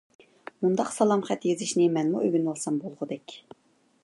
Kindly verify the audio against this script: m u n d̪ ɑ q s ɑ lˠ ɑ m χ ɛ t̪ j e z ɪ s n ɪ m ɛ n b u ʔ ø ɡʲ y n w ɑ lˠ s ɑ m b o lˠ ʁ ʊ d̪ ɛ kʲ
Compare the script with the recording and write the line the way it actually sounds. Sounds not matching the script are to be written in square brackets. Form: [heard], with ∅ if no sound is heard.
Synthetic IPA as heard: m u n d̪ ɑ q s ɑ lˠ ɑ m χ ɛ t̪ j e z ɪ [ʃ] n ɪ m ɛ n [m] u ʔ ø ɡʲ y n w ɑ lˠ s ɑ m b o lˠ ʁ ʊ d̪ ɛ kʲ

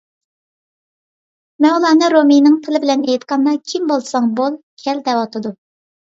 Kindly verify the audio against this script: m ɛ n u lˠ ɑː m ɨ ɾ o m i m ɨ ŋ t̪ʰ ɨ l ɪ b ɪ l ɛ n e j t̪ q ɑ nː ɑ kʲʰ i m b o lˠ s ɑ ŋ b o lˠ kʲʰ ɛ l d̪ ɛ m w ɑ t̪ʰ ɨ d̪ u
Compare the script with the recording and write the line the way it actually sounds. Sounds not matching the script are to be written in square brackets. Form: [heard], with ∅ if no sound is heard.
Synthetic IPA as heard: m ɛ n u lˠ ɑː [n] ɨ ɾ o m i [n] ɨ ŋ t̪ʰ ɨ l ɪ b ɪ l ɛ n e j t̪ q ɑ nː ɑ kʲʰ i m b o lˠ s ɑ ŋ b o lˠ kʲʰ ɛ l d̪ ɛ [∅] w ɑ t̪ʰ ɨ d̪ u

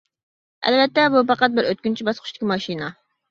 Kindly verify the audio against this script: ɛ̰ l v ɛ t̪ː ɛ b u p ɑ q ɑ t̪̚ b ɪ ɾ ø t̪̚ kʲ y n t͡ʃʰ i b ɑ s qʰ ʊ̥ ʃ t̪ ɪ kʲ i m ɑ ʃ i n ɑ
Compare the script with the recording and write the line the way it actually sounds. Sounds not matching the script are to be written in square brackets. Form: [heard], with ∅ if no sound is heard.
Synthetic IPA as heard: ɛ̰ l v ɛ t̪ː ɛ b u p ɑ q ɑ t̪̚ b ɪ ɾ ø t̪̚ kʲ y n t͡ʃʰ i b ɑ s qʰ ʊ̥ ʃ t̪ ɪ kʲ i m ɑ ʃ i n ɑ

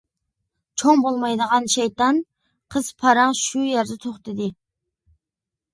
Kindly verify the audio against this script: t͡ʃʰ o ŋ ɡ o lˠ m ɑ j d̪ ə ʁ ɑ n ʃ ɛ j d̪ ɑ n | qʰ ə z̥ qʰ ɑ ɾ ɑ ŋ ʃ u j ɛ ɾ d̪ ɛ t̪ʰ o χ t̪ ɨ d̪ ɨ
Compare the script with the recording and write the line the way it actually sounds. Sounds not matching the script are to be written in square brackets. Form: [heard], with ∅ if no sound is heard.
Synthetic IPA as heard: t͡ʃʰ o ŋ [b] o lˠ m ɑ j d̪ ə ʁ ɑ n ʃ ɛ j [t̪] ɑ n | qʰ ə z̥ [pʰ] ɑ ɾ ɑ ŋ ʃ u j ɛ ɾ d̪ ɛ t̪ʰ o χ t̪ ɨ d̪ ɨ

